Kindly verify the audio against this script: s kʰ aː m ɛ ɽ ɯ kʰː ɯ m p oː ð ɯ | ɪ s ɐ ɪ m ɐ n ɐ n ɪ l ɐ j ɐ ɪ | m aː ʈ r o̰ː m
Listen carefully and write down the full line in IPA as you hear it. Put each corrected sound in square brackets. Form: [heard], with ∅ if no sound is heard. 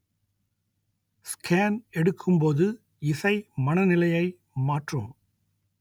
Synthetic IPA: s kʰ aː [n] ɛ ɽ ɯ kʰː ɯ m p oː ð ɯ | ɪ s ɐ ɪ m ɐ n ɐ n ɪ l ɐ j ɐ ɪ | m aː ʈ r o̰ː m

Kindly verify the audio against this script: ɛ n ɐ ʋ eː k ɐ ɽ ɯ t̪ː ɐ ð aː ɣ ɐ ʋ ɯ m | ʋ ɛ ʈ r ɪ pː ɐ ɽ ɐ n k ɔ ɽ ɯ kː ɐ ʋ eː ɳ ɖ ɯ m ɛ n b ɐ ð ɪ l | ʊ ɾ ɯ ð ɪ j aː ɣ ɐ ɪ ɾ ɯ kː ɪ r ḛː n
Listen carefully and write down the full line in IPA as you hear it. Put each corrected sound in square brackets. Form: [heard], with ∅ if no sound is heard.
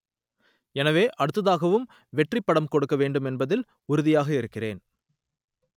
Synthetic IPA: ɛ n ɐ ʋ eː [ʔ] ɐ ɽ ɯ t̪ː ɐ ð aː ɣ ɐ ʋ ɯ m | ʋ ɛ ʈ r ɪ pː ɐ ɽ ɐ [m] k ɔ ɽ ɯ kː ɐ ʋ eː ɳ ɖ ɯ m ɛ n b ɐ ð ɪ l | ʊ ɾ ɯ ð ɪ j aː ɣ ɐ ɪ ɾ ɯ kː ɪ r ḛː n

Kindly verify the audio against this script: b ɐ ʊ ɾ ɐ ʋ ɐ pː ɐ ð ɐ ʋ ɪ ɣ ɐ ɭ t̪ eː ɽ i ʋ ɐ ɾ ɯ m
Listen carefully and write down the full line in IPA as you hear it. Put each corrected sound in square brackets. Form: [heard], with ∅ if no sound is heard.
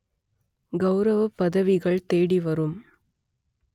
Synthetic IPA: [ɡ] ɐ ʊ ɾ ɐ ʋ ɐ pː ɐ ð ɐ ʋ ɪ ɣ ɐ ɭ t̪ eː ɽ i ʋ ɐ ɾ ɯ m

